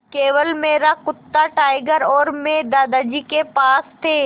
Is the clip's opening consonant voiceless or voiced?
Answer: voiceless